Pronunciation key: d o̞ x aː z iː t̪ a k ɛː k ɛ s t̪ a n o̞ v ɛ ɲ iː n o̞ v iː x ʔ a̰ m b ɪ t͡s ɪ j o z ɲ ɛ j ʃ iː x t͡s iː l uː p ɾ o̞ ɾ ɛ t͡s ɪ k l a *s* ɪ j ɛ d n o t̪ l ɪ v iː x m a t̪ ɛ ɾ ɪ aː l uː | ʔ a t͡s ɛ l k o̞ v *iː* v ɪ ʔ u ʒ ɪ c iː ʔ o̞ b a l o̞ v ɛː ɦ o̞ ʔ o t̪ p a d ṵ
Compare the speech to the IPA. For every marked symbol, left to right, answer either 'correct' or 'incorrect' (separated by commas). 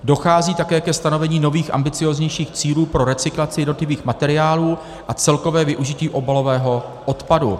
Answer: incorrect, incorrect